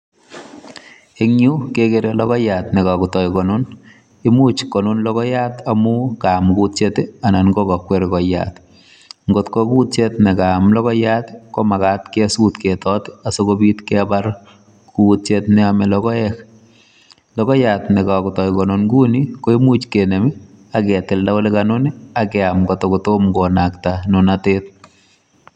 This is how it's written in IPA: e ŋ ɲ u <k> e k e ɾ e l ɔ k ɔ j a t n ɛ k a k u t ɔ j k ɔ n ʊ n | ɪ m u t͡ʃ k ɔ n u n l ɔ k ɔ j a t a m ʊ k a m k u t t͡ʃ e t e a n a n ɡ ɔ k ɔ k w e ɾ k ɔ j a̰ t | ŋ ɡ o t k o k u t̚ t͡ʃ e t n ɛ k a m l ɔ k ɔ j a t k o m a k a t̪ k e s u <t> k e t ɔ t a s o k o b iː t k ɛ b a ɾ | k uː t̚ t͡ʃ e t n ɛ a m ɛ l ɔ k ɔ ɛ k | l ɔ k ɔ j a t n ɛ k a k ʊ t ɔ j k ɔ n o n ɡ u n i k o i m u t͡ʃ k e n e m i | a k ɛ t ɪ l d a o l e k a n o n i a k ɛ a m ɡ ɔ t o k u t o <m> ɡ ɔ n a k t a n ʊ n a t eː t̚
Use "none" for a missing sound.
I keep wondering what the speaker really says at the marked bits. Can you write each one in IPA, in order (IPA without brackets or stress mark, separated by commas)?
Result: k, t, m